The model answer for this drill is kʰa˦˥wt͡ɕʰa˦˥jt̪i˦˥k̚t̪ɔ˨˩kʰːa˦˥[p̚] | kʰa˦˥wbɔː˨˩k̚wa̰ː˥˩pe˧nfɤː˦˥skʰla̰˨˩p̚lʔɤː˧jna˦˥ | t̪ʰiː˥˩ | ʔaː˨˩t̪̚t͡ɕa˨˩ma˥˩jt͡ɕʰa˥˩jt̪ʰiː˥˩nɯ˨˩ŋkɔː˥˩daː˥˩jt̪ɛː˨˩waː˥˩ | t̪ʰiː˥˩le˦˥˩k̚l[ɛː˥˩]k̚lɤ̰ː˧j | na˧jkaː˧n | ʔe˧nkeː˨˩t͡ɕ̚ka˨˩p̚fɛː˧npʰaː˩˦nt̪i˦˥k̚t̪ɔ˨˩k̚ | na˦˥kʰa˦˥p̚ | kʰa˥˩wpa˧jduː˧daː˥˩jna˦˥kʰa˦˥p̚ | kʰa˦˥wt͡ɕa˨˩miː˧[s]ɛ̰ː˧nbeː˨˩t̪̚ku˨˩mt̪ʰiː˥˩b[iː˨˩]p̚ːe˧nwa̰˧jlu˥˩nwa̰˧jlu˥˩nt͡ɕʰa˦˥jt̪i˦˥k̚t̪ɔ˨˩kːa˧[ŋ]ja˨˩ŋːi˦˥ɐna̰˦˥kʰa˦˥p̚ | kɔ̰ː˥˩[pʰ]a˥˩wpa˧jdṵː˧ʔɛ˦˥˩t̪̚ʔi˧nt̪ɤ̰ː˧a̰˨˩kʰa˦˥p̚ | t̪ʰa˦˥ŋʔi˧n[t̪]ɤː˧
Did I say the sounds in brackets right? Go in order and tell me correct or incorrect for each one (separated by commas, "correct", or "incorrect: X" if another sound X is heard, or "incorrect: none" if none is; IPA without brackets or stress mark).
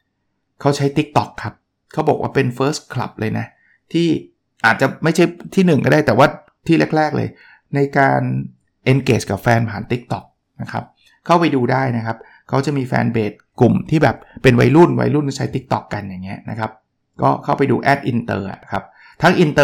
correct, correct, incorrect: f, incorrect: ɛː˨˩, incorrect: n, incorrect: kʰ, correct